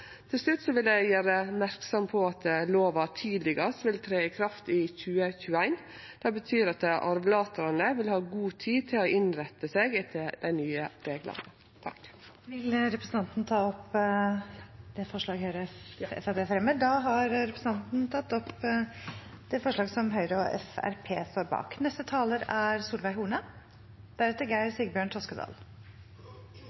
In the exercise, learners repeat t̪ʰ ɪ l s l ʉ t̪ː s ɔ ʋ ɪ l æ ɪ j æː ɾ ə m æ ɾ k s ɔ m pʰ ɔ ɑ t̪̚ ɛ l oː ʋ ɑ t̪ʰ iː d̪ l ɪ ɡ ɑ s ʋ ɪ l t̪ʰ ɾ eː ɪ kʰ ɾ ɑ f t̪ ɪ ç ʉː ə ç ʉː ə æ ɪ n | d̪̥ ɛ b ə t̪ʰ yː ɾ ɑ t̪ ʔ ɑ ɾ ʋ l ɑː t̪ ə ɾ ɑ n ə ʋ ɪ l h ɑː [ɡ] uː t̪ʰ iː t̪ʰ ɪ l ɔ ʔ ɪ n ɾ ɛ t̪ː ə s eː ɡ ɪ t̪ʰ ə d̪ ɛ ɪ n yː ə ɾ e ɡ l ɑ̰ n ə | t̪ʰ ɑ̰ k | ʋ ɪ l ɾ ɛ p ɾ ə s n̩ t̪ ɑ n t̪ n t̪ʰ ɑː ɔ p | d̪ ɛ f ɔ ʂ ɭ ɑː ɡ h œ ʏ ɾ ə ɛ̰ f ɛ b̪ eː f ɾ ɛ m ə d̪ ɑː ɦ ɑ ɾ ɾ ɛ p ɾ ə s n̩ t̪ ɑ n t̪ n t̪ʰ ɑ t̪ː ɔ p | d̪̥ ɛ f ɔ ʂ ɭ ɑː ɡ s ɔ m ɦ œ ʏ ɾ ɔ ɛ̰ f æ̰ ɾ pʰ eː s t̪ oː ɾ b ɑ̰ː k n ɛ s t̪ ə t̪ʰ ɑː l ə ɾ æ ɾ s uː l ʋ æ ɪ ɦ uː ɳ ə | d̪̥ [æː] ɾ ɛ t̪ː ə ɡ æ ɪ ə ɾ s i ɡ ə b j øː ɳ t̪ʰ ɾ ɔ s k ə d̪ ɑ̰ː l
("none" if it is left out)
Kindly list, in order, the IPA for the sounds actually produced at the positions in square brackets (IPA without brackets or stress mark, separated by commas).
ɡ, æ